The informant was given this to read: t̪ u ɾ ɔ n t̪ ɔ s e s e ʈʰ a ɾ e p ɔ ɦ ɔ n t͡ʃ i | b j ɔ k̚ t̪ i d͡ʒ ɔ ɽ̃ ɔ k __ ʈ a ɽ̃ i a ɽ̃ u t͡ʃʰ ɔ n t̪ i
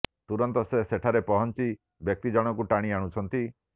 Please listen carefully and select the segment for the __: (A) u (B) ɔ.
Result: A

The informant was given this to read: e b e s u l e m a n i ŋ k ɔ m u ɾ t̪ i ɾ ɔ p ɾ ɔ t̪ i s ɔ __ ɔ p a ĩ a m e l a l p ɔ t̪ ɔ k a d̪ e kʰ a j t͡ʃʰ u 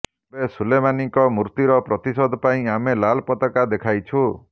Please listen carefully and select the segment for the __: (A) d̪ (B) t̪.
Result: A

